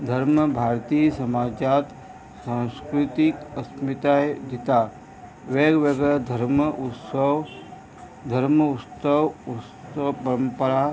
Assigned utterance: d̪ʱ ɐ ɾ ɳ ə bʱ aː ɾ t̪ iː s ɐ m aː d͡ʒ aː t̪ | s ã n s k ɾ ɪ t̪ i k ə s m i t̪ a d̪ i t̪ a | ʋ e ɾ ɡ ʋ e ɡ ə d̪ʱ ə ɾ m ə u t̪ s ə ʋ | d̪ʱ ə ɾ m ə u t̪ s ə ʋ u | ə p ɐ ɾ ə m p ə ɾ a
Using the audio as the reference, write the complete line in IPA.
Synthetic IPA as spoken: d̪ʱ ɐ ɾ m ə bʱ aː ɾ t̪ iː s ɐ m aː d͡ʒ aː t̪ | s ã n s k ɾ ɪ t̪ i k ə s m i t̪ a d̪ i t̪ a | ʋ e ɡ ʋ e ɡ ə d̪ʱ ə ɾ m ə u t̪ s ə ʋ | d̪ʱ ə ɾ m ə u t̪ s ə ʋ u | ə p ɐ ɾ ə m p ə ɾ a